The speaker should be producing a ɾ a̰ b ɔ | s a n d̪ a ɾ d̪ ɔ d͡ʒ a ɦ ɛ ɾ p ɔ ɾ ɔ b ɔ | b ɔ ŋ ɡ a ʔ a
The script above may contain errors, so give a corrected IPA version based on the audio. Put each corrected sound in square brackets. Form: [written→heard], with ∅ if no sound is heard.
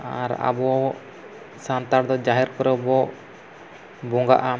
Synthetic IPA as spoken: a ɾ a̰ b ɔ | s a n [d̪→t̪] a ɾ d̪ ɔ d͡ʒ a ɦ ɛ ɾ [p→k] ɔ ɾ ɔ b ɔ | b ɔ ŋ ɡ a ʔ a